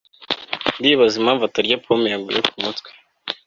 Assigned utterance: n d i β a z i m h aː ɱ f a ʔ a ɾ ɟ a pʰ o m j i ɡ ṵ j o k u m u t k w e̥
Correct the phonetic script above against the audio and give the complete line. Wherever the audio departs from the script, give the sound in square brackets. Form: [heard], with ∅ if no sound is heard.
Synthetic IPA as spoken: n d i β a z i m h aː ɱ [v] a [t] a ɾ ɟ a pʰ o m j [a] ɡ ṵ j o k u m u t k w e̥